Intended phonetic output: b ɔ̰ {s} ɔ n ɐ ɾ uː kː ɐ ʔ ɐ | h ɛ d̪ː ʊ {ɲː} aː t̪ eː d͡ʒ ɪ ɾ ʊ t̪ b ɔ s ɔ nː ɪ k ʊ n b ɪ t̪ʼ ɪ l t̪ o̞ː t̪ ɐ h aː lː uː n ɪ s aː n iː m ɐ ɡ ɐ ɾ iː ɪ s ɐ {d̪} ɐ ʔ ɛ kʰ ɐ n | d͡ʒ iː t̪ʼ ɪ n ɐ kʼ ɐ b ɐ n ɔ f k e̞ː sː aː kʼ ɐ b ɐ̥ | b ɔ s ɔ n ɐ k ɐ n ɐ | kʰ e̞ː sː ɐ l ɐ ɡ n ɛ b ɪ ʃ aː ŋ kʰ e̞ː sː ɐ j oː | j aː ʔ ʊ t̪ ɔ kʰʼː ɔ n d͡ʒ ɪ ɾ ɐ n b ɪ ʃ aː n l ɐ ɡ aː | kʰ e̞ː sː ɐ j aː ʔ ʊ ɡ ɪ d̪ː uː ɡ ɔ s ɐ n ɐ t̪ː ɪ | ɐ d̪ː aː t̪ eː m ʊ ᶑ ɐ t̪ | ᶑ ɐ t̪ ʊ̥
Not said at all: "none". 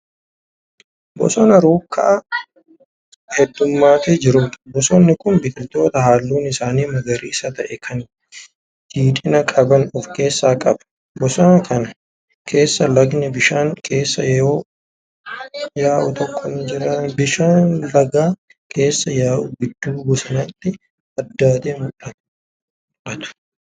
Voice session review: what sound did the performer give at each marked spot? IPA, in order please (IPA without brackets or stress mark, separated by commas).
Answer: s, mː, t̪